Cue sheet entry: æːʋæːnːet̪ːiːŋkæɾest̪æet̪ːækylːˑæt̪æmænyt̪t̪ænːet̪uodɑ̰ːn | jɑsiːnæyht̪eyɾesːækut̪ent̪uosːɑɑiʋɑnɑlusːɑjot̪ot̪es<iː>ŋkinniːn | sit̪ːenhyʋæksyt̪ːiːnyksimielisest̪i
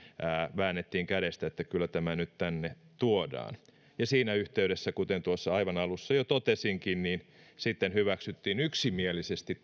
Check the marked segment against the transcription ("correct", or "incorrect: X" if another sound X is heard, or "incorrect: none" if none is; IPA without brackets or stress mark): incorrect: i